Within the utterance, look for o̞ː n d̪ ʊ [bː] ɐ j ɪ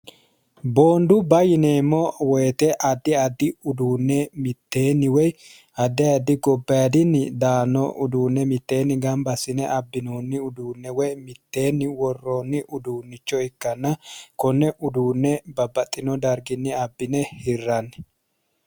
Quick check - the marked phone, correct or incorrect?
incorrect